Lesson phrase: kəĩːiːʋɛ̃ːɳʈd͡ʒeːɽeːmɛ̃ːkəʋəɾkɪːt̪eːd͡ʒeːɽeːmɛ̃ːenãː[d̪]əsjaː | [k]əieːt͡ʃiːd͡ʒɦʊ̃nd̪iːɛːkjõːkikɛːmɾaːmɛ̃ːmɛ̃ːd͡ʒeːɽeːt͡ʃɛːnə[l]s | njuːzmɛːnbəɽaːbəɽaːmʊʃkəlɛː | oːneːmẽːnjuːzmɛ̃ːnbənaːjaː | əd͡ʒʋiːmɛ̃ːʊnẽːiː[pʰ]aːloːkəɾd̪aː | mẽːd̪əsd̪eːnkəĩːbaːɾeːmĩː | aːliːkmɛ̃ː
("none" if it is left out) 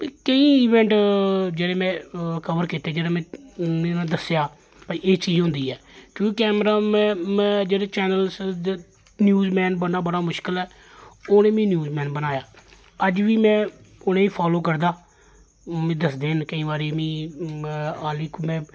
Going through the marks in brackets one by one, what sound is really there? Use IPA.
d̪, p, l, pʰ

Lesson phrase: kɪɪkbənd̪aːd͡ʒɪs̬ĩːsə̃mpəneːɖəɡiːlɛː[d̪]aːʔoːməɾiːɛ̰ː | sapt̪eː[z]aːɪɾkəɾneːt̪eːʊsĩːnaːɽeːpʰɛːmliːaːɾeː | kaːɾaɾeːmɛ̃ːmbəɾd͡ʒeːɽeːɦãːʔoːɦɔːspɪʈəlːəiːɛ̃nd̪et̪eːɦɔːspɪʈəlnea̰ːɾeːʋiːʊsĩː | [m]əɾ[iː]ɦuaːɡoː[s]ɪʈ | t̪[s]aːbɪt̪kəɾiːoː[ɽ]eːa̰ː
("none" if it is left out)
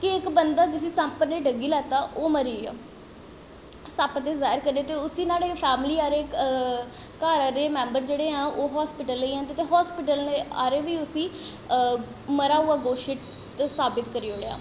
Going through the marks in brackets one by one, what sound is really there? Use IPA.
t̪, z, m, aː, ʃ, s, ɽ

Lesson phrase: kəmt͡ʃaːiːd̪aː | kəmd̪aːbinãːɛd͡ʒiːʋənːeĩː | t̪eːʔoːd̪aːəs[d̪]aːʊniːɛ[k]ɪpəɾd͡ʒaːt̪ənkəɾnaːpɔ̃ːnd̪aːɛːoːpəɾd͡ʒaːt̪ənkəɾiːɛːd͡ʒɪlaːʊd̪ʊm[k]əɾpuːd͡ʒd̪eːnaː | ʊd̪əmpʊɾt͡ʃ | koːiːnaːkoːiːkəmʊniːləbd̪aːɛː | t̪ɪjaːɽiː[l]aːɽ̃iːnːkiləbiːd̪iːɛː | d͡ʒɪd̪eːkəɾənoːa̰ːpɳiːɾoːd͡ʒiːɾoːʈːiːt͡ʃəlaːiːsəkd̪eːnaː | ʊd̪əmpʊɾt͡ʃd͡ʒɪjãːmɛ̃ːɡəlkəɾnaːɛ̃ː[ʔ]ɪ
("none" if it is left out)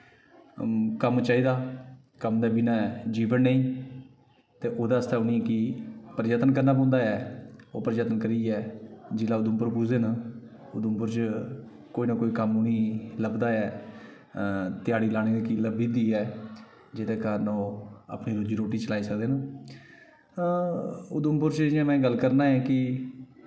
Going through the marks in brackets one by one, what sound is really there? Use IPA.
t̪, k, p, l, k

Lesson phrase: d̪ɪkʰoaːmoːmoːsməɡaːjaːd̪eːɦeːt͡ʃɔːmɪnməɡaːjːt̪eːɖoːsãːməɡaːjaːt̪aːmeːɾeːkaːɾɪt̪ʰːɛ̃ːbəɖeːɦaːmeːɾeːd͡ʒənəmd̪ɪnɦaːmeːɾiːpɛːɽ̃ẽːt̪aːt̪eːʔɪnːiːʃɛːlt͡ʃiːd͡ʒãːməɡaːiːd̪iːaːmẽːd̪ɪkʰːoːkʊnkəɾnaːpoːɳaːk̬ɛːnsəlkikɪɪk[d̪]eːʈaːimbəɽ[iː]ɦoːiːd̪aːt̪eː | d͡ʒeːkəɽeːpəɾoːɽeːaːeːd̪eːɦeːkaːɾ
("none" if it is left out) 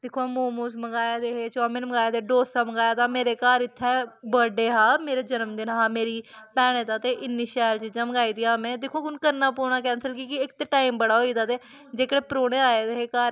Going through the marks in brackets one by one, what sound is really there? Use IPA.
t̪, aː

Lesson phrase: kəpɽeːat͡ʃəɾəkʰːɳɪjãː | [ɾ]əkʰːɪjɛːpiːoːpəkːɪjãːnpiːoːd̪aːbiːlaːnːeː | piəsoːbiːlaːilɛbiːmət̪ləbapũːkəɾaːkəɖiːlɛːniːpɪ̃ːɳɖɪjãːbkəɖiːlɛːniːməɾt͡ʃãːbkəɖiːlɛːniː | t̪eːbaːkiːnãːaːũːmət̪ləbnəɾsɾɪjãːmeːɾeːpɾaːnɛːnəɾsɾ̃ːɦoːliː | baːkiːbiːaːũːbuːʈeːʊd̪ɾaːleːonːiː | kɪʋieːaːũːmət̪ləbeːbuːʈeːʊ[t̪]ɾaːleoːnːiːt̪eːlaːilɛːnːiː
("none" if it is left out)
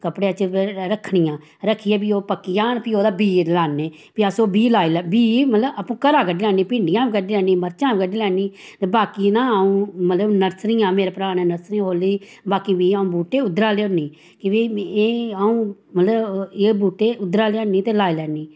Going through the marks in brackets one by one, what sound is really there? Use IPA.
ɾ, d̪

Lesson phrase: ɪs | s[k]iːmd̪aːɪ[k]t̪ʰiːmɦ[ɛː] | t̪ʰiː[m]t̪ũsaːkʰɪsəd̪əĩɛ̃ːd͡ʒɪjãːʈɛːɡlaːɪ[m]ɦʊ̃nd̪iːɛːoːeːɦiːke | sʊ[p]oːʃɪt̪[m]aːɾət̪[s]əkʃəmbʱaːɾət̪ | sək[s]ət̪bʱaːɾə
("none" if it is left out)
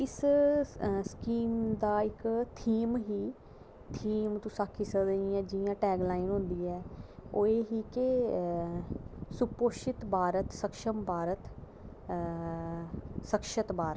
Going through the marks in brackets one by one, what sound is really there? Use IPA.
k, k, iː, m, n, p, b, s, ʃ

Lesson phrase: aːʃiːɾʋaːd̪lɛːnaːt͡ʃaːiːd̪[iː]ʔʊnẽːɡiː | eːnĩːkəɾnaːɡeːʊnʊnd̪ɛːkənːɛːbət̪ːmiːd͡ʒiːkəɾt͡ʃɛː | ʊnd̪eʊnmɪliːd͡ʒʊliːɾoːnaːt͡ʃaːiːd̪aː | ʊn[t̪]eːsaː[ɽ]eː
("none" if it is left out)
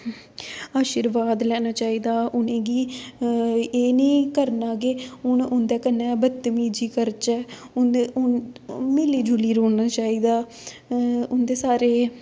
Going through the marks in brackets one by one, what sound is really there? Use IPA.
aː, d̪, ɾ

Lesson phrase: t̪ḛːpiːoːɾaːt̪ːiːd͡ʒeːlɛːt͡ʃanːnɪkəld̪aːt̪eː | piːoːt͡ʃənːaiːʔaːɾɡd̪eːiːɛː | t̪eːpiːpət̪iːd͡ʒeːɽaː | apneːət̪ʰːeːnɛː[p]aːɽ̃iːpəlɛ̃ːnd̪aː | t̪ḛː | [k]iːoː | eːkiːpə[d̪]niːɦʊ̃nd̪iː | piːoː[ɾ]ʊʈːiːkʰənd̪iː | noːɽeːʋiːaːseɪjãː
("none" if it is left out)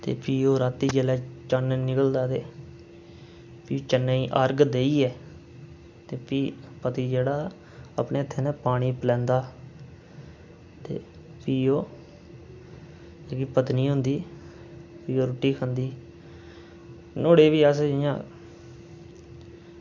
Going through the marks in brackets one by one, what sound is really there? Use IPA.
p, p, t̪, ɾ

